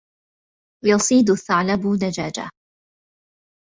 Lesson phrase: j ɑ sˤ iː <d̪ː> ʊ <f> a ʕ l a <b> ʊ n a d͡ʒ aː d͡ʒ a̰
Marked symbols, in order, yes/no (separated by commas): no, no, yes